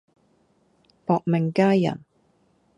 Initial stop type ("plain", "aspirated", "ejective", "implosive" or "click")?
plain